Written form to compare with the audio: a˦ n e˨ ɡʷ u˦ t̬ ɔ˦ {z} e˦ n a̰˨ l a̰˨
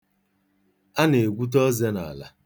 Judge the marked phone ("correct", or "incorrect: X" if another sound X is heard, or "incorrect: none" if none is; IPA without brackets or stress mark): correct